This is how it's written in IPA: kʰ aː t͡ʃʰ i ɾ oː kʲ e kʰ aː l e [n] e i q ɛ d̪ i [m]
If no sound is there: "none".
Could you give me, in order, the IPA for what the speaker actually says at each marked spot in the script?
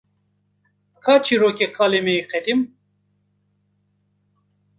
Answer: m, m

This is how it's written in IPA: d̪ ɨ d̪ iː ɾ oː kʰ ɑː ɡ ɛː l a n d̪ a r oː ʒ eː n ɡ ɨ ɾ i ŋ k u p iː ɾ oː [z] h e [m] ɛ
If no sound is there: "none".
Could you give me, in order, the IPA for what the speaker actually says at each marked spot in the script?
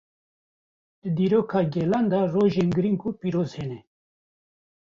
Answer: z, n

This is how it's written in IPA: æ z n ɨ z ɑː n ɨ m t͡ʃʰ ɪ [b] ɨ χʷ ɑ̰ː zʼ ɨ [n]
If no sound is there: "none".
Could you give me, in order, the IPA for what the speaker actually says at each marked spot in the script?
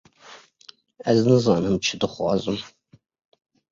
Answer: d, m

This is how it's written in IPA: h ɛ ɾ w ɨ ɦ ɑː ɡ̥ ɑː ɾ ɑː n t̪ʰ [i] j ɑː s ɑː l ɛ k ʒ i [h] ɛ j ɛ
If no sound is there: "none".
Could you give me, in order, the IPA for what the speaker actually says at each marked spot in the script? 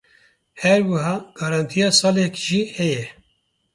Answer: i, h

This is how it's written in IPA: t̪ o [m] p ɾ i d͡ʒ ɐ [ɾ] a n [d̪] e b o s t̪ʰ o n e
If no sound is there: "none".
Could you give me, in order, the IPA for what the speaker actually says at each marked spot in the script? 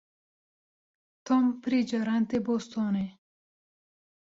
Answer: m, ɾ, t̪

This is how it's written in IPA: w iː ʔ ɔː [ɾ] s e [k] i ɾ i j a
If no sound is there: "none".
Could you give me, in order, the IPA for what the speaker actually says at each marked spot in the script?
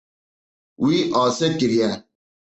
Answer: none, k

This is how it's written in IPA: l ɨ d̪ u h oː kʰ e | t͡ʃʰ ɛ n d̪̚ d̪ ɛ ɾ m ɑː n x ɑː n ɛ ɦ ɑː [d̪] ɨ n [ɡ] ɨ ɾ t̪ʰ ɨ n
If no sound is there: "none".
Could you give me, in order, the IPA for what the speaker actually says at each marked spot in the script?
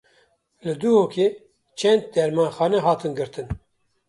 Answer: t̪, ɡ

